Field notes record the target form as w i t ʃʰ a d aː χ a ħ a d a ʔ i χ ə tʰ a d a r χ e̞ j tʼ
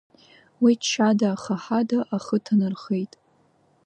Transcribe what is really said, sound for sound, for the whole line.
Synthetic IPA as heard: w i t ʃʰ a d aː χ a ħ a d a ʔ a χ ə tʰ a n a r χ e̞ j tʼ